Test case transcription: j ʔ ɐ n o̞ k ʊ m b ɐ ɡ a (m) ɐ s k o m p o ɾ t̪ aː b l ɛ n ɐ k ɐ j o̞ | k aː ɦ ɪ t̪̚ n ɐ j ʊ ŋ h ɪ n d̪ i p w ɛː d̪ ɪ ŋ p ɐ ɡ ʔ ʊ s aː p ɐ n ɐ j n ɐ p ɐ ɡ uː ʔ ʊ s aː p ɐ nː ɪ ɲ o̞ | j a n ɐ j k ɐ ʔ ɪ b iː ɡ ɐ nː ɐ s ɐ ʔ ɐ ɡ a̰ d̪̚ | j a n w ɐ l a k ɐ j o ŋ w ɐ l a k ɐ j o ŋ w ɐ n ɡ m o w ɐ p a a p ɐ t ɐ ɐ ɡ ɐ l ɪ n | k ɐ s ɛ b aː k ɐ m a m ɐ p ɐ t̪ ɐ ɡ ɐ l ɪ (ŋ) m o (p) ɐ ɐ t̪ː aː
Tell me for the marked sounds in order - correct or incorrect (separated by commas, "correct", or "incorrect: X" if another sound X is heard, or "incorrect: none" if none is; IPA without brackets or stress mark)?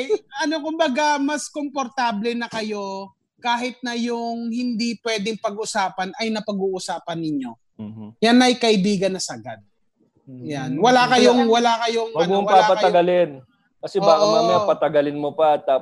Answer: correct, incorrect: n, correct